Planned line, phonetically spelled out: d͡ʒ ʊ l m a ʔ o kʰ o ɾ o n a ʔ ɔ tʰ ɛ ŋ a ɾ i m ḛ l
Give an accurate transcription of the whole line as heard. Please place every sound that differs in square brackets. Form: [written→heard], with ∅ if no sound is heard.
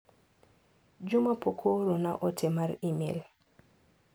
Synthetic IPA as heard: d͡ʒ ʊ [l→∅] m a [ʔ→p] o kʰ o ɾ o n a ʔ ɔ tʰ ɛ [ŋ→m] a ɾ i m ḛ l